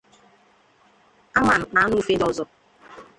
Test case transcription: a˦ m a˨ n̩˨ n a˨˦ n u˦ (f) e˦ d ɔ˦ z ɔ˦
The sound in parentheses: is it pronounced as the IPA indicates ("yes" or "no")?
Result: yes